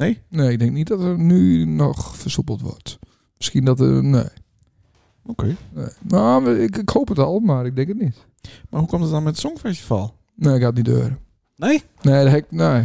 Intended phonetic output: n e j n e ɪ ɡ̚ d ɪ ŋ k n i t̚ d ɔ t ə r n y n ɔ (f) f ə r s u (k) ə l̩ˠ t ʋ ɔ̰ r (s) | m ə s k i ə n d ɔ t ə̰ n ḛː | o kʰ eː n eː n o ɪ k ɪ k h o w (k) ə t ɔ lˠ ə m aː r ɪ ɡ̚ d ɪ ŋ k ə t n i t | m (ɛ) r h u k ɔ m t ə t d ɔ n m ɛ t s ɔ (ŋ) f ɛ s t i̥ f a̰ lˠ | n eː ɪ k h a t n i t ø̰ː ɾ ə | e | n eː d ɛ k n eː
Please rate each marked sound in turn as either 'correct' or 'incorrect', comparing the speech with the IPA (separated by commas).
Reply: incorrect, incorrect, incorrect, incorrect, incorrect, correct